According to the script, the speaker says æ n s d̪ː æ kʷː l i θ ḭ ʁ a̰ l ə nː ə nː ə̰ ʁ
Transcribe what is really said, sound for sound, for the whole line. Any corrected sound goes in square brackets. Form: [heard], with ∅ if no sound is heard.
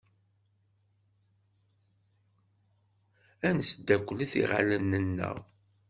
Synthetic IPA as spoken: æ n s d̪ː æ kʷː l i θ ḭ ʁ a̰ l ə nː ə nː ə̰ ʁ